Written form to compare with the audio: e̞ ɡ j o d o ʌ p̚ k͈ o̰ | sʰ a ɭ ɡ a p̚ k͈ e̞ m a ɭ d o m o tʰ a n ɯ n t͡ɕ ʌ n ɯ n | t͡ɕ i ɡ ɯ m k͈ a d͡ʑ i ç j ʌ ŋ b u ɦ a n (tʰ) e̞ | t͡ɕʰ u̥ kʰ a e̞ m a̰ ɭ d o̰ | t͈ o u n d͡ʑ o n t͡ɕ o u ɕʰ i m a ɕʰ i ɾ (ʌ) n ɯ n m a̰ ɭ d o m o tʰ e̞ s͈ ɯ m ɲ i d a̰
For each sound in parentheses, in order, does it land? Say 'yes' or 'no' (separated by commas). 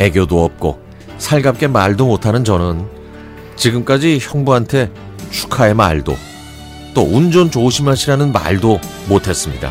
yes, no